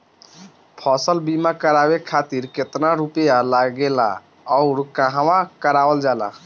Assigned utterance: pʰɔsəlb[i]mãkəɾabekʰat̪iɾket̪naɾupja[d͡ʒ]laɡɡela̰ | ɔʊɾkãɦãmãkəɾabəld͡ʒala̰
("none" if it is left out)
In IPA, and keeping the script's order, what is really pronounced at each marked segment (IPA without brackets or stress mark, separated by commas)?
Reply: i, none